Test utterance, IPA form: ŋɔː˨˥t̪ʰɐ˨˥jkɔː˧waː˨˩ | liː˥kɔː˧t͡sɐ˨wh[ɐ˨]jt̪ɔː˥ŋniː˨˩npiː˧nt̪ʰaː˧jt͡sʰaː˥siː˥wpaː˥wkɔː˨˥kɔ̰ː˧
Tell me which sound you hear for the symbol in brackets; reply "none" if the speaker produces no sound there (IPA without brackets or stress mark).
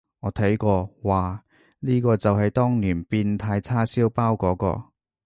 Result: ɐ˨